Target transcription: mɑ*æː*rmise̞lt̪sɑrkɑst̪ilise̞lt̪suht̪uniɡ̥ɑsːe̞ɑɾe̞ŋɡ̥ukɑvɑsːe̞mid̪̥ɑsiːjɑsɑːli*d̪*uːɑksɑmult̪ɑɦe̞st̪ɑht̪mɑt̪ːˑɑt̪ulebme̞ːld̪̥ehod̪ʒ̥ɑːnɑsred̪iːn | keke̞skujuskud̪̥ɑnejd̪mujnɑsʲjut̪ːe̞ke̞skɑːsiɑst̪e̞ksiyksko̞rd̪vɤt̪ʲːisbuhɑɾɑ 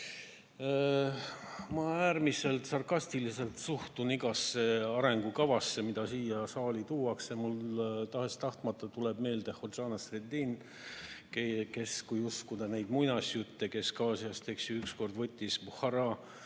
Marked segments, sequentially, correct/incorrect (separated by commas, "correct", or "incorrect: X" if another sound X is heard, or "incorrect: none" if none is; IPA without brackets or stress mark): correct, incorrect: t̪